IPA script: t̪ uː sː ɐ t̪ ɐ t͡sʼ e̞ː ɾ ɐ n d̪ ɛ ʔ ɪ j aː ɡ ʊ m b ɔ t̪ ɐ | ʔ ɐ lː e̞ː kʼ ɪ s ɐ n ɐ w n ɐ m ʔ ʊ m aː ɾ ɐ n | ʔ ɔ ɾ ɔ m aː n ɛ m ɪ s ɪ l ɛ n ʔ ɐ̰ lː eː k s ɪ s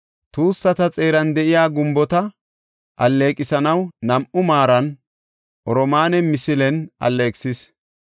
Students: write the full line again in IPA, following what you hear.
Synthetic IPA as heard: t̪ uː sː ɐ t̪ ɐ t͡sʼ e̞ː ɾ ɐ n d̪ ɛ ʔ ɪ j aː ɡ ʊ m b ɔ t̪ ɐ | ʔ ɐ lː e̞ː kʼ ɪ s ɐ n ɐ w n ɐ m ʔ ʊ m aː ɾ ɐ n | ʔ ɔ ɾ ɔ m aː n ɛ m ɪ s ɪ l ɛ n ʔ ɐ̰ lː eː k s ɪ s